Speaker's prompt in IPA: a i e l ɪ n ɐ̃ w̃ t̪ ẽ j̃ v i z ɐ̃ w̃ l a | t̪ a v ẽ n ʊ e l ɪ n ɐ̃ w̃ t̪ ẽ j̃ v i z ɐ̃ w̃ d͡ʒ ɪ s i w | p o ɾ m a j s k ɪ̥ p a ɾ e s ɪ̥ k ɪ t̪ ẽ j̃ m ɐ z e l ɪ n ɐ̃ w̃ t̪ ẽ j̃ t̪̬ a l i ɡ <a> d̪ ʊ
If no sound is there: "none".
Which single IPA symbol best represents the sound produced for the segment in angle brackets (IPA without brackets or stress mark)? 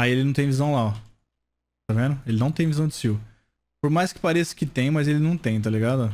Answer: a